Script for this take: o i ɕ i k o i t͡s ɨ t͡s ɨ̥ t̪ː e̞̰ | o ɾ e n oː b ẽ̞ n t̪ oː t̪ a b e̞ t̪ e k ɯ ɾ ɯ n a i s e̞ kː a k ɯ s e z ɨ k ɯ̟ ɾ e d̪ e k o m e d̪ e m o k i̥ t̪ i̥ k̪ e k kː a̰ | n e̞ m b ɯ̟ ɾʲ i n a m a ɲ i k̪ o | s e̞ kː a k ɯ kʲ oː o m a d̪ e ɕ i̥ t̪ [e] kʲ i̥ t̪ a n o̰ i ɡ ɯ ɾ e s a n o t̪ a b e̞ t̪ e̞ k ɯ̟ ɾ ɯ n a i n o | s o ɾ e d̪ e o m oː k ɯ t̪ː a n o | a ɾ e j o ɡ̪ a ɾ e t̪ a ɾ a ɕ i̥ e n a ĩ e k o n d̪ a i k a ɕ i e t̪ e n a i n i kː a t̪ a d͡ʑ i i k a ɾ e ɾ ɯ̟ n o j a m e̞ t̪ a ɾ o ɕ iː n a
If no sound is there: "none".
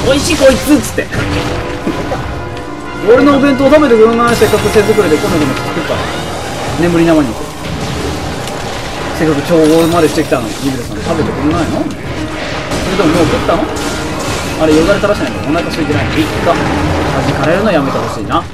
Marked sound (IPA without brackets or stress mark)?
e